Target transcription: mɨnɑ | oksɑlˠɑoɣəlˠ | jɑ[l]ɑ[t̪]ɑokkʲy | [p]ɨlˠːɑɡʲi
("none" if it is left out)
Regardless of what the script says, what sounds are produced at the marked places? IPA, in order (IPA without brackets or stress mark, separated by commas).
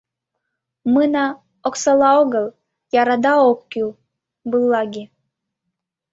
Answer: ɾ, d̪, b